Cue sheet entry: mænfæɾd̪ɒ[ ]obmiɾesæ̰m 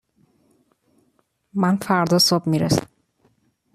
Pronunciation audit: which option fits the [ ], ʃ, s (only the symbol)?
s